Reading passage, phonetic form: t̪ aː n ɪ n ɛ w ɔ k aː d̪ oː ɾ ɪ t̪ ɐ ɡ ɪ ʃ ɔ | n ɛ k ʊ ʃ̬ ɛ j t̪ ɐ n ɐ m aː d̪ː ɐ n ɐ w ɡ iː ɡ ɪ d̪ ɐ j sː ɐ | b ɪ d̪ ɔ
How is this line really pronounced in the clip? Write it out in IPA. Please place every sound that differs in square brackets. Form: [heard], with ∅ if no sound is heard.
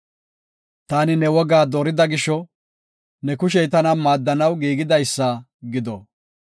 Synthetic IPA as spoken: t̪ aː n ɪ n ɛ w ɔ [ɡ] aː d̪ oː ɾ ɪ [d̪] ɐ ɡ ɪ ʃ ɔ | n ɛ k ʊ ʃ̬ ɛ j t̪ ɐ n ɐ m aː d̪ː ɐ n ɐ w ɡ iː ɡ ɪ d̪ ɐ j sː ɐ | [ɡ] ɪ d̪ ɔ